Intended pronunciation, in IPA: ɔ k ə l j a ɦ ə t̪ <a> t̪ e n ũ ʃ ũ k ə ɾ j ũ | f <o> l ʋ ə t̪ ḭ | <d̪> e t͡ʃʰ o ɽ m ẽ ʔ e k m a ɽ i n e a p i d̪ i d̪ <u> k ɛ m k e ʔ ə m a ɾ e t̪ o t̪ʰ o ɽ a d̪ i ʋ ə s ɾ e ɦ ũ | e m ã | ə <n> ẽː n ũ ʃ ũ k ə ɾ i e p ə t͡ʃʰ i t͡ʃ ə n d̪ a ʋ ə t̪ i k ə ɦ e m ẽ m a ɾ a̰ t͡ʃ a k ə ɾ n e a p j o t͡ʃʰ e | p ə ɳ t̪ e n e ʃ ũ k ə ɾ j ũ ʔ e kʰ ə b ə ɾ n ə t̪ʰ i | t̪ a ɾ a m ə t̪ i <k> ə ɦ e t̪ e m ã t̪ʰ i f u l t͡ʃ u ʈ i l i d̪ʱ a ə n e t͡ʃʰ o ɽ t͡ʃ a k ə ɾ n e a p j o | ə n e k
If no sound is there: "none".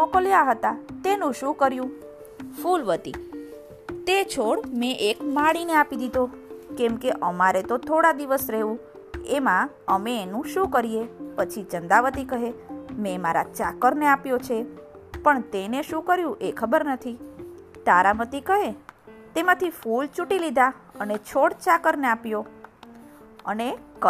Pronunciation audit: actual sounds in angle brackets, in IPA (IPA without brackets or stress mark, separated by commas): a, u, t̪, o, m, k